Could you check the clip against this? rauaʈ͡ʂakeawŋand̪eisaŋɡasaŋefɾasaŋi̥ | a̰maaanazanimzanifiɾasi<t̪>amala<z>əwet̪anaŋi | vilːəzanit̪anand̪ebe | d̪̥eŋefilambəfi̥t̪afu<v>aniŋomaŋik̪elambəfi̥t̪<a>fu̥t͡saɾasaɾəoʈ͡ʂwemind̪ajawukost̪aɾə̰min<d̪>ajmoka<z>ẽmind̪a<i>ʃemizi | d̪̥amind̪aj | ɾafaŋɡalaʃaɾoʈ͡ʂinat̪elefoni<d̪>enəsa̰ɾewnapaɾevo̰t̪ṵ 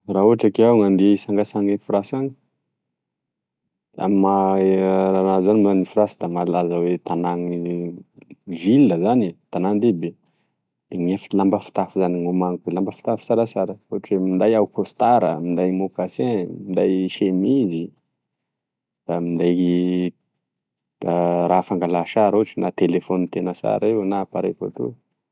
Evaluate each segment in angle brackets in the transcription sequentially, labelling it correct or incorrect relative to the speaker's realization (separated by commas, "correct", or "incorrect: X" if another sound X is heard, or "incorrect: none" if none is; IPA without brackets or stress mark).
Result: incorrect: d̪, correct, incorrect: z, correct, correct, incorrect: s, incorrect: j, incorrect: t̪